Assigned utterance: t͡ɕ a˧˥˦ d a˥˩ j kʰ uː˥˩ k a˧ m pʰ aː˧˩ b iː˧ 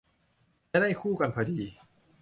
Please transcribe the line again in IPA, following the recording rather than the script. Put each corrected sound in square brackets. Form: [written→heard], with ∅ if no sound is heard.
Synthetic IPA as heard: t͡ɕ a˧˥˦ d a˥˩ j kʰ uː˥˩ k a˧ [m→n] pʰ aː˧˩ [b→d] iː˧